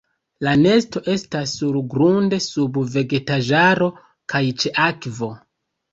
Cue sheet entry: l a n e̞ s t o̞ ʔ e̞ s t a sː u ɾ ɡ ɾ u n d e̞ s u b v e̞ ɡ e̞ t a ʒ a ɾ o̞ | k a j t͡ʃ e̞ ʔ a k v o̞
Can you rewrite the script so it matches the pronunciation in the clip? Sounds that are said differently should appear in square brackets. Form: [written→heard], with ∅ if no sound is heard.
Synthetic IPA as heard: l a n e̞ s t o̞ ʔ e̞ s t a sː u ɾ ɡ ɾ u n d e̞ s u b v e̞ ɡ e̞ t a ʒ a ɾ o̞ | k a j t͡ʃ e̞ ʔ a k v o̞